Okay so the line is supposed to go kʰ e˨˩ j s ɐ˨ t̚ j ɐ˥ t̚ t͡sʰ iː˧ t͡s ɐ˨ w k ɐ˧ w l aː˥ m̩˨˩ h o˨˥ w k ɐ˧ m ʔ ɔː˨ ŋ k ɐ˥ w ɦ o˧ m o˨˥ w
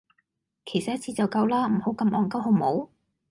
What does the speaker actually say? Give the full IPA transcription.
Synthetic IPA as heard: kʰ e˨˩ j s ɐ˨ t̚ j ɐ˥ t̚ t͡sʰ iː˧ t͡s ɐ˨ w k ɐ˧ w l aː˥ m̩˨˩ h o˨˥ w k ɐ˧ m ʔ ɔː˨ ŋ k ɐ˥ w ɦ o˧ m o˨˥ w